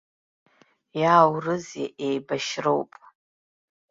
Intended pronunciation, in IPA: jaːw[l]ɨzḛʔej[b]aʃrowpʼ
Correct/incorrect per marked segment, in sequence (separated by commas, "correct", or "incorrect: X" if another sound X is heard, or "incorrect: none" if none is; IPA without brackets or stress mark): incorrect: r, correct